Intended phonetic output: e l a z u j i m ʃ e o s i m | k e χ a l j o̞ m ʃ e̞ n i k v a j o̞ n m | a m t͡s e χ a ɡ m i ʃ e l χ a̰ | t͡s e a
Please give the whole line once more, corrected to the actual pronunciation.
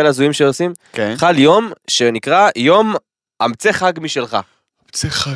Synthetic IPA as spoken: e l a z u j i m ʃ e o s i m | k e χ a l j o̞ m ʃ e̞ n i k ʁ a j o̞ m | a m t͡s e χ a ɡ m i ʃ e l χ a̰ | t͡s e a